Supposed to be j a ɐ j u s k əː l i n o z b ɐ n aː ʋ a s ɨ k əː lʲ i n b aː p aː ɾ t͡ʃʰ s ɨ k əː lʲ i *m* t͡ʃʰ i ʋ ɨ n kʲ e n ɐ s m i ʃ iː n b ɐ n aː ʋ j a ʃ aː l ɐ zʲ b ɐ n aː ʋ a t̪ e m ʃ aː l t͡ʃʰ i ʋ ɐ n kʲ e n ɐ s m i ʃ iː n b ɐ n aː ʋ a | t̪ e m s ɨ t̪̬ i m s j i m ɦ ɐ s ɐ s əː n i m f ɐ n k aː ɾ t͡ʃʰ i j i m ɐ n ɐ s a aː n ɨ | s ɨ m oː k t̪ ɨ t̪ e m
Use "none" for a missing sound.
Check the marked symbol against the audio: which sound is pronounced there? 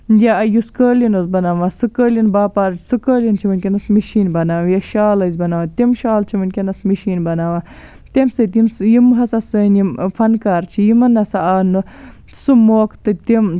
n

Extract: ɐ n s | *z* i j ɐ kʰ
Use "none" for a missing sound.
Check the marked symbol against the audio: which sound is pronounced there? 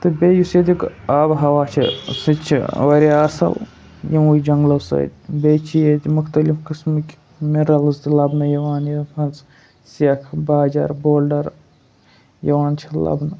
s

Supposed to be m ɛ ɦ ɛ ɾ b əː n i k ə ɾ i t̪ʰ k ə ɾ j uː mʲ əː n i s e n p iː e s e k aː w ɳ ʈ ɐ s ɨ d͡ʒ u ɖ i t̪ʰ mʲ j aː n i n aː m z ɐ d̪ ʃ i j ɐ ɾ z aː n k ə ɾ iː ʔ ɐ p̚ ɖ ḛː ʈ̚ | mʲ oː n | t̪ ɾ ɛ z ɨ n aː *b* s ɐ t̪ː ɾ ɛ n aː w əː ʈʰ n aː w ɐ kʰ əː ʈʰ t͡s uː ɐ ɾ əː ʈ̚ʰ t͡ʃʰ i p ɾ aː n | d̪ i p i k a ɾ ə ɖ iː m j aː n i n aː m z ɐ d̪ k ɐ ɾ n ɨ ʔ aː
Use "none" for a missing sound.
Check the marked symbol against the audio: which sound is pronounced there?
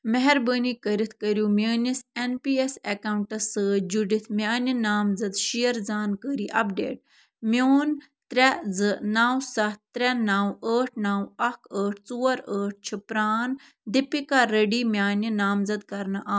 w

